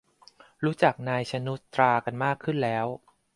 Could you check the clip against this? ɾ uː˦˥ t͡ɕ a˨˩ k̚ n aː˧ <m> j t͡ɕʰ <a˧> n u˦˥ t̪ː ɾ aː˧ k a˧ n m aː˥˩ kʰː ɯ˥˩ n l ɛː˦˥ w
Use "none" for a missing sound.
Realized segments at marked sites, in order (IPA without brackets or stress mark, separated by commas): none, a˧